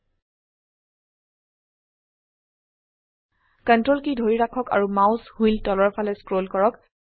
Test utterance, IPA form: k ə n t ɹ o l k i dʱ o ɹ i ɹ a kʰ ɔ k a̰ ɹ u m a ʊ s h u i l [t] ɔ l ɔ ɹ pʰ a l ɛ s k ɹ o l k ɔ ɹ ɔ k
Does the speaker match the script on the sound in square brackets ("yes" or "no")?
yes